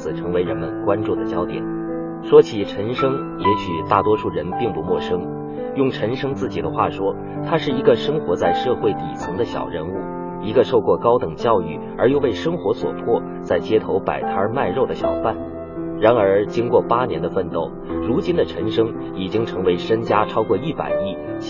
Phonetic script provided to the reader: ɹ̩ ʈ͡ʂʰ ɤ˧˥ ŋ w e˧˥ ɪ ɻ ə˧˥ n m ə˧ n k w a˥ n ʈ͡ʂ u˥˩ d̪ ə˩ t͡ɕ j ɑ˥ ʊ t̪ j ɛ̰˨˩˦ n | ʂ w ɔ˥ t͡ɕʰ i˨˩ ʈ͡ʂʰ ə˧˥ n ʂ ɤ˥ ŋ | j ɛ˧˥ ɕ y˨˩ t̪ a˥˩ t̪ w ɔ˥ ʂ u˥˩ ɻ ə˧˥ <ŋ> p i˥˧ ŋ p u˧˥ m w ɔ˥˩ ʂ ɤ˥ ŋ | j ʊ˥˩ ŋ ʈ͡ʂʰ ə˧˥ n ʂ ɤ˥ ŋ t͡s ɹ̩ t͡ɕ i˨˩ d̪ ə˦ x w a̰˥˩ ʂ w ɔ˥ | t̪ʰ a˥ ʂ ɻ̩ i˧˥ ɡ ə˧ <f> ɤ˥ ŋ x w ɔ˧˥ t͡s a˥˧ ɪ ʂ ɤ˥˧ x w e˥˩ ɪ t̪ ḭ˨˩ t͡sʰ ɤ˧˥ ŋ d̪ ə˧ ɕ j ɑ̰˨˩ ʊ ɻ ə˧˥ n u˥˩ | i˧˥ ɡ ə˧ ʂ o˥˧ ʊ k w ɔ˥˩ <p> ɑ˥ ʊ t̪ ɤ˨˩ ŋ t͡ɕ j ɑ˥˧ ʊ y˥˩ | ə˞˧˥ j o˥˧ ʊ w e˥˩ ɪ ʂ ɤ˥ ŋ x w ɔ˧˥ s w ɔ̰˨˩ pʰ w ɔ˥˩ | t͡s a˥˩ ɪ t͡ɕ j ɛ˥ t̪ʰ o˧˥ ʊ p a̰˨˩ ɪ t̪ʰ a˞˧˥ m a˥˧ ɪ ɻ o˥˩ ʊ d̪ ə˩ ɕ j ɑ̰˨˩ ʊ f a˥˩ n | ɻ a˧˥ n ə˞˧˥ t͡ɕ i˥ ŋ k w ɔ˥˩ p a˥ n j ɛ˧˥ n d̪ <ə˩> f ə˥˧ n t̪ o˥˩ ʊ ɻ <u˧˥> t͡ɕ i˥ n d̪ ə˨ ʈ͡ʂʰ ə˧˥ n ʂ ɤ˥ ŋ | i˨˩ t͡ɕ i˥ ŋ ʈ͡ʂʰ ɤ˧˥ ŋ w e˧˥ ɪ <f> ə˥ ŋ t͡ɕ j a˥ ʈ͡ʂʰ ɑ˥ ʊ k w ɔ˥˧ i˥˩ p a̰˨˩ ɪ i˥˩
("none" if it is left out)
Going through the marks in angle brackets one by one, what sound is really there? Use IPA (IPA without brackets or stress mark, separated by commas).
n, ʂ, k, ə˧, u˧˥, ʂ